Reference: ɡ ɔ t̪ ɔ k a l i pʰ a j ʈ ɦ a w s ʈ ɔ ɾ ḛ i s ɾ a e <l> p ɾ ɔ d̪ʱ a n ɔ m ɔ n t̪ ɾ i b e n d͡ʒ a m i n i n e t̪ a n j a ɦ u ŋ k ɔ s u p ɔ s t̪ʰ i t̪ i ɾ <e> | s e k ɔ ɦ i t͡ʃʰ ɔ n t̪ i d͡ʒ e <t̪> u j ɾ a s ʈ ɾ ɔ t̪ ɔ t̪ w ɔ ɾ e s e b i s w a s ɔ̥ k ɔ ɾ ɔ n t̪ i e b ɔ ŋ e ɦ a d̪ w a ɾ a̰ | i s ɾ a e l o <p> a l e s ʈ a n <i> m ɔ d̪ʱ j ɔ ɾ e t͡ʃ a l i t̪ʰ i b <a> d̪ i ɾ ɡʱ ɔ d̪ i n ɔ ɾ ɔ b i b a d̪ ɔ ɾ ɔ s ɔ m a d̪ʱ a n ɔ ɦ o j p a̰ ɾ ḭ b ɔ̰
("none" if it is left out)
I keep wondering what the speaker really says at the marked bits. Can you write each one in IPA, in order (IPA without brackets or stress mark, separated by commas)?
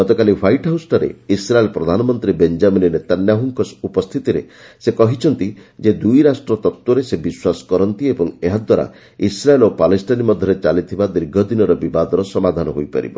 l, e, d̪, p, i, a